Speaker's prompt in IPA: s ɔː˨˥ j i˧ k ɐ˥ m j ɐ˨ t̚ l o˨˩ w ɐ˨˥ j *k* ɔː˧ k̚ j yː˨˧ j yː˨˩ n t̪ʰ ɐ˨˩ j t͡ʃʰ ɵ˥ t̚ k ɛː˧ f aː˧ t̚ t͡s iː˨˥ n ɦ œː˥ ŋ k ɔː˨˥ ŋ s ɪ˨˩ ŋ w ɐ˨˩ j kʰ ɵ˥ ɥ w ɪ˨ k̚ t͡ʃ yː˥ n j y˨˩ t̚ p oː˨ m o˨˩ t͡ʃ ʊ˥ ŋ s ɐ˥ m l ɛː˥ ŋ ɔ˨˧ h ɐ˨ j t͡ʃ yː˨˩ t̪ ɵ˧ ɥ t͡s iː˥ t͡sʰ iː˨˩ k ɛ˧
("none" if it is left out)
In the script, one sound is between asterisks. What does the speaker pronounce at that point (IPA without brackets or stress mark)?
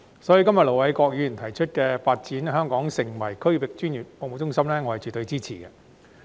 k